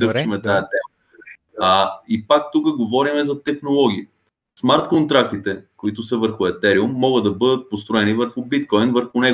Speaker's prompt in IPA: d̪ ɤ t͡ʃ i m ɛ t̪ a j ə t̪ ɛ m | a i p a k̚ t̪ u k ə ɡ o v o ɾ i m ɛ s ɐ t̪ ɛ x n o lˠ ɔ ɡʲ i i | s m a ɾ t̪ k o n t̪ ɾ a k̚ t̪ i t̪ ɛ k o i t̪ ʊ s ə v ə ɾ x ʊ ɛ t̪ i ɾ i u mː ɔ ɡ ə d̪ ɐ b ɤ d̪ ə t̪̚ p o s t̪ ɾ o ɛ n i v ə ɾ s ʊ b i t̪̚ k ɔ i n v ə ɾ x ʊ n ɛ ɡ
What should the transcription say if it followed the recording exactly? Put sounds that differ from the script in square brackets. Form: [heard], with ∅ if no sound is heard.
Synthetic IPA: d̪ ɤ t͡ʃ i m ɛ t̪ a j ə t̪ ɛ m | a i p a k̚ t̪ u k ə ɡ o v [ɔ] ɾ i m ɛ [z] ɐ t̪ ɛ x n o lˠ ɔ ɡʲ i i | s m a ɾ t̪ k o n t̪ ɾ a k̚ t̪ i t̪ ɛ k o i t̪ ʊ s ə v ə ɾ x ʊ ɛ t̪ [ɛ] ɾ i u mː ɔ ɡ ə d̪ ɐ b ɤ d̪ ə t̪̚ p o s t̪ ɾ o ɛ n i v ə ɾ [x] ʊ b i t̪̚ k ɔ [j] n v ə ɾ x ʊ n ɛ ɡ